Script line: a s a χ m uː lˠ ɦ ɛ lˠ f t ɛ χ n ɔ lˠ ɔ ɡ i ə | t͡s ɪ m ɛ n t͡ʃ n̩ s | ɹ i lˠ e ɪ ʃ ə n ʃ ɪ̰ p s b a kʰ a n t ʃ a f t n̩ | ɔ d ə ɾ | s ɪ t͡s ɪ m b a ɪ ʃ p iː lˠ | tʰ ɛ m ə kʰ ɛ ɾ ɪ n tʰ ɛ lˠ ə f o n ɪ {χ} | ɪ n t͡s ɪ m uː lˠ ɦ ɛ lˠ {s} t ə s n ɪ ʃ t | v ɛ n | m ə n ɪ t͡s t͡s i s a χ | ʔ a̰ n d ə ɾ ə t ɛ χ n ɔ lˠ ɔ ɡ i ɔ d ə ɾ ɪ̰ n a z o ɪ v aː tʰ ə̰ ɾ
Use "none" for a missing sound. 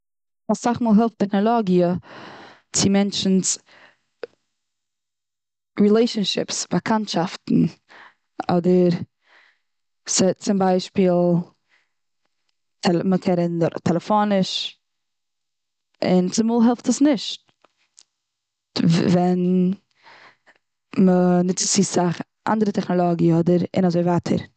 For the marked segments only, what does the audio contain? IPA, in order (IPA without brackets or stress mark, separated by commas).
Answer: ʃ, f